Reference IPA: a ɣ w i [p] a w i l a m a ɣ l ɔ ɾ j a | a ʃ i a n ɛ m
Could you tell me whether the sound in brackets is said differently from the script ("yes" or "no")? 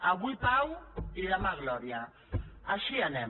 no